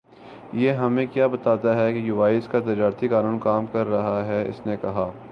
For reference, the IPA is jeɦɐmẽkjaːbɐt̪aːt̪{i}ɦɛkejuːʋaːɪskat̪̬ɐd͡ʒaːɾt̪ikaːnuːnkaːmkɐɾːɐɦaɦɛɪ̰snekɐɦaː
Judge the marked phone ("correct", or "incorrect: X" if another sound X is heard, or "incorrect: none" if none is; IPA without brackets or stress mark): incorrect: a